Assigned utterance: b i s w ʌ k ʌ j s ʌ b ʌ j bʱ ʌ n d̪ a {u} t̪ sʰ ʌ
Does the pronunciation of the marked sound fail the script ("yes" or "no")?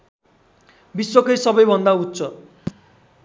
no